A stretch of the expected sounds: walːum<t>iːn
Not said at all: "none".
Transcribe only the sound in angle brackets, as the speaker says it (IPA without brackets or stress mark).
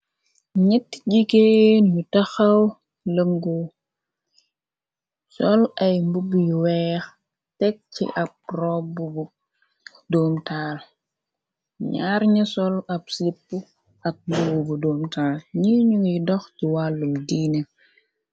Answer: d